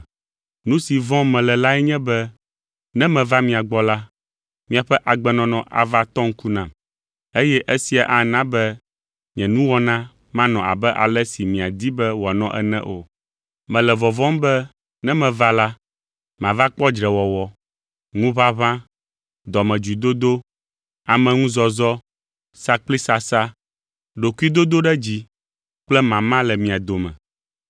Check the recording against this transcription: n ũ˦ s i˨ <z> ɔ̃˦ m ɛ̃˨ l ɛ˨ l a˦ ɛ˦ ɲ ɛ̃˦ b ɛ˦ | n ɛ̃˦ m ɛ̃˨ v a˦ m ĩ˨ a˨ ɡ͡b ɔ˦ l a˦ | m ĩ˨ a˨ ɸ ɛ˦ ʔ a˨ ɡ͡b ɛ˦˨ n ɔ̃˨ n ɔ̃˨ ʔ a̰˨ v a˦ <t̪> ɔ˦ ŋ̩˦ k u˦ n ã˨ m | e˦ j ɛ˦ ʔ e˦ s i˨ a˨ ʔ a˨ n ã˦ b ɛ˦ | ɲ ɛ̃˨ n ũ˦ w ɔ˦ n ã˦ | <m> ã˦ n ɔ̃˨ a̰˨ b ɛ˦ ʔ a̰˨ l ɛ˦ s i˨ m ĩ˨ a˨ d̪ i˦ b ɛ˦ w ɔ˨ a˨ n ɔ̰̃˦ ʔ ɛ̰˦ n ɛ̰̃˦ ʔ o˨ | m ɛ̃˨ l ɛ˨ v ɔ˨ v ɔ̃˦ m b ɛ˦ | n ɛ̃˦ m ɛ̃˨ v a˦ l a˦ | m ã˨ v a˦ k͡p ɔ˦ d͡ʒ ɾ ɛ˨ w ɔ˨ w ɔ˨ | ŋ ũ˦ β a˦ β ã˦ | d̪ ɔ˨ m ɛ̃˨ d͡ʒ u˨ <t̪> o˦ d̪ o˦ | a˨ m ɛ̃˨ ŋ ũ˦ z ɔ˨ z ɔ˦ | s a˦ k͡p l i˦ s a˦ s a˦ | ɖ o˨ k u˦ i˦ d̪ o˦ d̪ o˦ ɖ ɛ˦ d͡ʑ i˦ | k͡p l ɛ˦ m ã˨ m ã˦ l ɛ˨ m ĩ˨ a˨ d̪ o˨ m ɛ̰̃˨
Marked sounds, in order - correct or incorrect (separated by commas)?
incorrect, correct, correct, incorrect